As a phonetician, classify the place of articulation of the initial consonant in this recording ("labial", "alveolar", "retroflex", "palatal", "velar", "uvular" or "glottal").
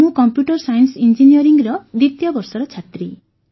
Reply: velar